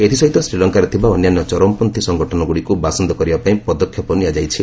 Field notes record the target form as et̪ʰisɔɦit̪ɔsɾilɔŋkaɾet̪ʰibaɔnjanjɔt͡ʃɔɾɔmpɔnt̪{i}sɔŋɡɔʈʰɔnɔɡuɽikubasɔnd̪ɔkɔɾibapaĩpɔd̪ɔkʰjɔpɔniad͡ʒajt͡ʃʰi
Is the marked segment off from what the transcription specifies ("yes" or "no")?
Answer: no